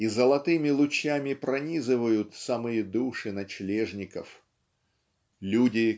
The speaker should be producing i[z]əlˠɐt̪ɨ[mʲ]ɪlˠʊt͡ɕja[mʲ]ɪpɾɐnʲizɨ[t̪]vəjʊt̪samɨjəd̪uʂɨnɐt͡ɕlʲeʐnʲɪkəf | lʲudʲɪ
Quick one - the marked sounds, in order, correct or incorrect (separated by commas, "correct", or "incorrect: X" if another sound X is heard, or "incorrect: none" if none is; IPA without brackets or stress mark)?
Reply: correct, correct, correct, incorrect: none